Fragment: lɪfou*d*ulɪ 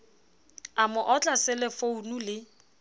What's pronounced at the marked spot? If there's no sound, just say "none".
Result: n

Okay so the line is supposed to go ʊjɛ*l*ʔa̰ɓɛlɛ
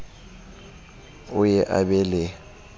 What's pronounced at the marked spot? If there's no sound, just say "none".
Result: none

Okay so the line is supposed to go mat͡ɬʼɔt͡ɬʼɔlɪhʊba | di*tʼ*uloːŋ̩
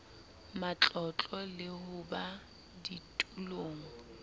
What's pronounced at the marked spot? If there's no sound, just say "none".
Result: tʼ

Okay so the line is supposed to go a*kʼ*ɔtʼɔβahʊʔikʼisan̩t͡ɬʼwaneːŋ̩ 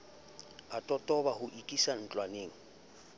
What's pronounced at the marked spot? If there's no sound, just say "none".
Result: tʼ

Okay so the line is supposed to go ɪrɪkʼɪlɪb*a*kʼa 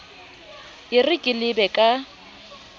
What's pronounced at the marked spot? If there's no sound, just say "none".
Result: ɛ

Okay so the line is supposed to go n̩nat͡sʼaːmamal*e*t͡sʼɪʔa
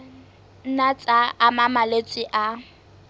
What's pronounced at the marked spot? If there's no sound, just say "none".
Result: e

